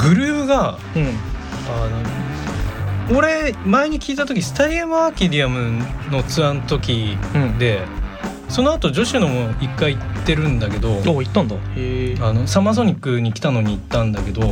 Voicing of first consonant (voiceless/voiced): voiced